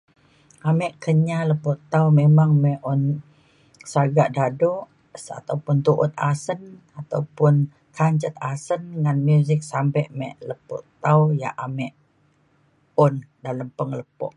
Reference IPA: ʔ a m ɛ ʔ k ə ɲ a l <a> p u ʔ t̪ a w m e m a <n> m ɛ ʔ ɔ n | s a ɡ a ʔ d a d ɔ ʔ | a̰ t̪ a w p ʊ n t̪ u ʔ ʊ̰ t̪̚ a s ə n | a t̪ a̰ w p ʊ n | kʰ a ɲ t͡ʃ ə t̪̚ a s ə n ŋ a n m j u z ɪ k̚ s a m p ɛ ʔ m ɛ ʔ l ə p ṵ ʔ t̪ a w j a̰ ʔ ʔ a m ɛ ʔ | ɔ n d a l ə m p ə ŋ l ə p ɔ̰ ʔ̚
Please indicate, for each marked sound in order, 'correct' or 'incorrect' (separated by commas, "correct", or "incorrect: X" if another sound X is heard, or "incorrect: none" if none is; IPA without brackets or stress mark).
incorrect: ə, incorrect: ŋ